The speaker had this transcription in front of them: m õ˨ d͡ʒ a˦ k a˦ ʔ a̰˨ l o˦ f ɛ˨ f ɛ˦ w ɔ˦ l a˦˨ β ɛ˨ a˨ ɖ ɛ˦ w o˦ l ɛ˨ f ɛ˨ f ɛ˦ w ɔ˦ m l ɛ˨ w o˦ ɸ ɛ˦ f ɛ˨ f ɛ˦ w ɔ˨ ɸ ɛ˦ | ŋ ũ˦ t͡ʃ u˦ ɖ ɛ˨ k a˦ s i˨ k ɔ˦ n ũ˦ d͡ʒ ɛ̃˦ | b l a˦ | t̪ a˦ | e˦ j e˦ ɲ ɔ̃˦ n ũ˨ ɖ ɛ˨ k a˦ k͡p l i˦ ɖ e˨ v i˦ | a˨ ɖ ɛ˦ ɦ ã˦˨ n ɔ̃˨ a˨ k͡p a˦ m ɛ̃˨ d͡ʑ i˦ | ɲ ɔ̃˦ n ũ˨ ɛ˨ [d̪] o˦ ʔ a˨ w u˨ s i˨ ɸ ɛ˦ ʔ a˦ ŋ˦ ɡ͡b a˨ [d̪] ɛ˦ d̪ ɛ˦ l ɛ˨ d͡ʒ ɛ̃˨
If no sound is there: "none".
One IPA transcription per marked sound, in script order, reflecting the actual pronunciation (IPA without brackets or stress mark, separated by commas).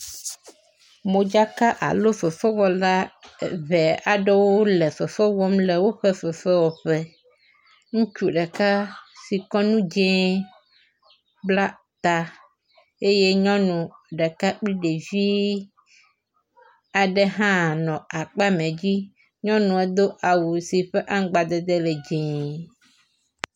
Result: d̪, d̪